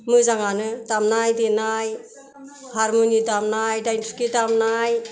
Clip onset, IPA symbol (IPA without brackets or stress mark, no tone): m